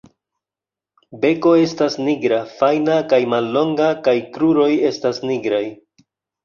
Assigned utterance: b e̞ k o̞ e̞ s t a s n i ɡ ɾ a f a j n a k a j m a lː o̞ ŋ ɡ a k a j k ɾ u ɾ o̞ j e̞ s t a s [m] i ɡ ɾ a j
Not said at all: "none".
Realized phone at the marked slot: n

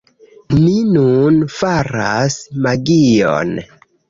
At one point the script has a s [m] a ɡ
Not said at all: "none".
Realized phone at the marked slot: m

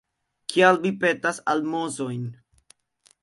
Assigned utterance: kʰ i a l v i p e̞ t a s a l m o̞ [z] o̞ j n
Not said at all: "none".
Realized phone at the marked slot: z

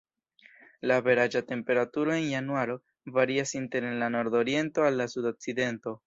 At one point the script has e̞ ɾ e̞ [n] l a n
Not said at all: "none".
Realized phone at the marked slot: n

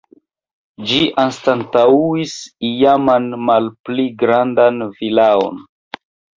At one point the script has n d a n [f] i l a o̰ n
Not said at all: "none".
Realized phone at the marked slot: v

